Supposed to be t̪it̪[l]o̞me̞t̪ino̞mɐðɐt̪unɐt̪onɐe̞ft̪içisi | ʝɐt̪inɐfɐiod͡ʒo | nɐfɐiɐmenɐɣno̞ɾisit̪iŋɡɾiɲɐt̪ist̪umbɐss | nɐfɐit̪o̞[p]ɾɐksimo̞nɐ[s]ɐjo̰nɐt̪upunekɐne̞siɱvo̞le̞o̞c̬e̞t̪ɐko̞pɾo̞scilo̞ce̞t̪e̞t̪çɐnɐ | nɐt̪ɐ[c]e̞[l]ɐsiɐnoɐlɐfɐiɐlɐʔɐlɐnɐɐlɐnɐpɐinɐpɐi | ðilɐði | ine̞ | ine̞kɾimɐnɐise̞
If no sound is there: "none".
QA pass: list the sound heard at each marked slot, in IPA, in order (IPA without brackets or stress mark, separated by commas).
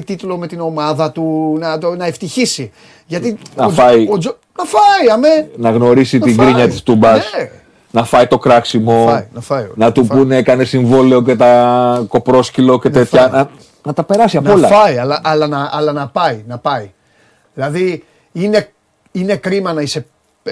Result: l, k, f, p, ɾ